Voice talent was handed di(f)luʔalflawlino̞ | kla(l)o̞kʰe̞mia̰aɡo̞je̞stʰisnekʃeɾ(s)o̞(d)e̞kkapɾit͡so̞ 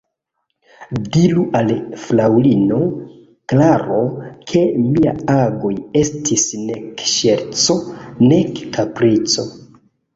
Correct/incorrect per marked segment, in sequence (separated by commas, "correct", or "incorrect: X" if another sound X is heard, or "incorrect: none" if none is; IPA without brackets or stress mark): incorrect: none, incorrect: ɾ, incorrect: t͡s, incorrect: n